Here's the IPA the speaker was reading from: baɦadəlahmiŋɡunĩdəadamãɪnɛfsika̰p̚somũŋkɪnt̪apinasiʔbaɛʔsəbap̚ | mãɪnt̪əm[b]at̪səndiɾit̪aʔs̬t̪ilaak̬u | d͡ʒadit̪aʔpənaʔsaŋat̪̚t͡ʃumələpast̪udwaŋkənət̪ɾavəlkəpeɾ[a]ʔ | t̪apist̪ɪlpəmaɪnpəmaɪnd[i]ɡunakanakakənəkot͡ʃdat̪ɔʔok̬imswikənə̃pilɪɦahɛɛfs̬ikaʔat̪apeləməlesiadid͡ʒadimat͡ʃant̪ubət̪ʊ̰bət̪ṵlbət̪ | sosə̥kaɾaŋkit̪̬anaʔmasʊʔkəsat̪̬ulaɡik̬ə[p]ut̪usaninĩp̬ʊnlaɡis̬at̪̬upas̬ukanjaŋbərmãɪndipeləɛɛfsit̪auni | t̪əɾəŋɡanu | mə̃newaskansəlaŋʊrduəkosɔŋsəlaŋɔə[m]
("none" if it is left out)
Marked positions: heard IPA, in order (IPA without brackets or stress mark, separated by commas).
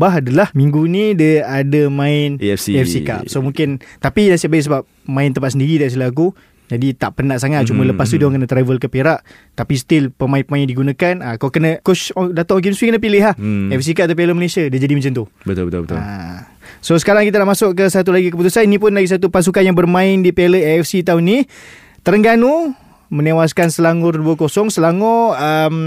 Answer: p, a, i, p, m